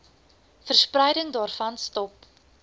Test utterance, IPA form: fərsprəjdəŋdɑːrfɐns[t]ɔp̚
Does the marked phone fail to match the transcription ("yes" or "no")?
no